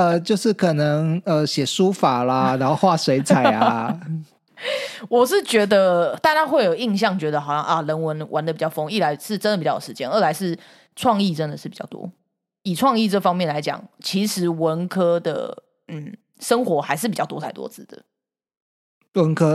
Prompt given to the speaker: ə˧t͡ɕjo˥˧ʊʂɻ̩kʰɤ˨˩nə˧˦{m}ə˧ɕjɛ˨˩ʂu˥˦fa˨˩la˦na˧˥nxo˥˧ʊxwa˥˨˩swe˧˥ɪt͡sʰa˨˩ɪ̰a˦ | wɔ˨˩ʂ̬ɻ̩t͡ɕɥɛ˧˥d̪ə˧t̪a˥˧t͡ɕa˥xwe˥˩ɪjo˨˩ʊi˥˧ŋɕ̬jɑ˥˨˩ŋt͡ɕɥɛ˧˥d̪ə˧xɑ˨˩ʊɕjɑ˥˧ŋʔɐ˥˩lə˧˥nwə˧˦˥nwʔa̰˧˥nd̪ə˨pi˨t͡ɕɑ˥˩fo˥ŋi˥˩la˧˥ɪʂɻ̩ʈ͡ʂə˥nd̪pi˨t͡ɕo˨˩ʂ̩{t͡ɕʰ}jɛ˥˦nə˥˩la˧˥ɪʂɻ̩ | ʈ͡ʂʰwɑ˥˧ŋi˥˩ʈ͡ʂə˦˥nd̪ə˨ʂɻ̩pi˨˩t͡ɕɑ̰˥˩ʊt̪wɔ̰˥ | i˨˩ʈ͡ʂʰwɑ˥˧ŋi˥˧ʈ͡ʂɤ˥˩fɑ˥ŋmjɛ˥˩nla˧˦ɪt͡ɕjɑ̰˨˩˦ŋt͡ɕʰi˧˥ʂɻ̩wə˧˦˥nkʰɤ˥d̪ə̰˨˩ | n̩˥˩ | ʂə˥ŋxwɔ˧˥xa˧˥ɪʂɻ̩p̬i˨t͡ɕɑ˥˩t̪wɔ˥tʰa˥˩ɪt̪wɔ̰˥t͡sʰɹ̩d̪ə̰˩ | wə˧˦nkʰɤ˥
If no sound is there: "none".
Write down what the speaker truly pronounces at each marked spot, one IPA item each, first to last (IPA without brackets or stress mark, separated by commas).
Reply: ŋ, t͡ɕ